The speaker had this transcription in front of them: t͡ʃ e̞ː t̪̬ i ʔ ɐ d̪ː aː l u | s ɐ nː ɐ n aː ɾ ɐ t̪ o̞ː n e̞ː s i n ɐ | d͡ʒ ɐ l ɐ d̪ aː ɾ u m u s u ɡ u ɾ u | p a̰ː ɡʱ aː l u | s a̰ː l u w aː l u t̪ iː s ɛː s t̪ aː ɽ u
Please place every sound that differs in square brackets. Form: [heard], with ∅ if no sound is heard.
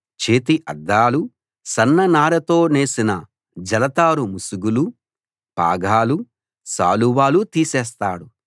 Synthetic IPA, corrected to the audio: t͡ʃ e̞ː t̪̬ i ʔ ɐ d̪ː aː l u | s ɐ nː ɐ n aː ɾ ɐ t̪ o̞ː n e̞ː s i n ɐ | d͡ʒ ɐ l ɐ [t̪] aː ɾ u m u s u ɡ u [l] u | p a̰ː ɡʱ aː l u | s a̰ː l u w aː l u t̪ iː s ɛː s t̪ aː ɽ u